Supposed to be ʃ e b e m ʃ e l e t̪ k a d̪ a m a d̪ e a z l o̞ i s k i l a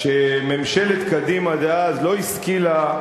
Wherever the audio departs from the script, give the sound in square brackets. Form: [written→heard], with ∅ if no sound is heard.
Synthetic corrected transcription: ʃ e [b→m] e m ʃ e l e t̪ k a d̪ [a→i] m a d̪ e a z l o̞ i s k i l a